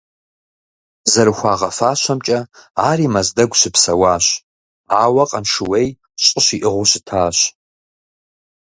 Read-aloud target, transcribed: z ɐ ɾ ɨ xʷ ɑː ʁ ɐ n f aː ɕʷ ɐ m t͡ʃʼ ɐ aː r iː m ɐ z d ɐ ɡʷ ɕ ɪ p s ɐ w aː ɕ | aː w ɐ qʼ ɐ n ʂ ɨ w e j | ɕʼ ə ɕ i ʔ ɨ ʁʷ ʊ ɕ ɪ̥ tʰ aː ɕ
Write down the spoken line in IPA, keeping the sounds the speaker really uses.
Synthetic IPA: z ɐ ɾ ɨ xʷ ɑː ʁ ɐ f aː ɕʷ ɐ m t͡ʃʼ ɐ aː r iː m ɐ z d ɐ ɡʷ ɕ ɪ p s ɐ w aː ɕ | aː w ɐ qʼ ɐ n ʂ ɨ w e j | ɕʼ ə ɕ i ʔ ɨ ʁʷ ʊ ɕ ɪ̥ tʰ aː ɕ